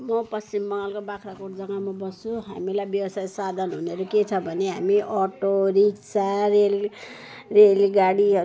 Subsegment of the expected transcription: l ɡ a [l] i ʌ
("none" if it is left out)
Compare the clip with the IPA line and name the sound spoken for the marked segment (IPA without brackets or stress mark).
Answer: ɽ